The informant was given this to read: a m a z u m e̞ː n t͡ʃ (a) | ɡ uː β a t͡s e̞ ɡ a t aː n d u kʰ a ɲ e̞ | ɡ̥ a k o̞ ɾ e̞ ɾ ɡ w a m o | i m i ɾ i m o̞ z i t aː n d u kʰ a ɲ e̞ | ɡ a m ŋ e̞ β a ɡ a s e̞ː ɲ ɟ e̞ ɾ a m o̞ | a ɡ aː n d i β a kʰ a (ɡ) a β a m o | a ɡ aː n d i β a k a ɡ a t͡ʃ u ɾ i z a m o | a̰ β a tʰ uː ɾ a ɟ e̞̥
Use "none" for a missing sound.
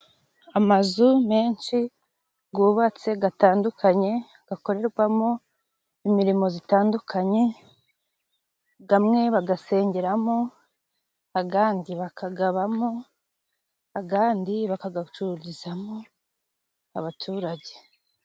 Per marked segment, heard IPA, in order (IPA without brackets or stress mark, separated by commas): i, ɡ